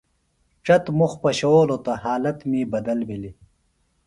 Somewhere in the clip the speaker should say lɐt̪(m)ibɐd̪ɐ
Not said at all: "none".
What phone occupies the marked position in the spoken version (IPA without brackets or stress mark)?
m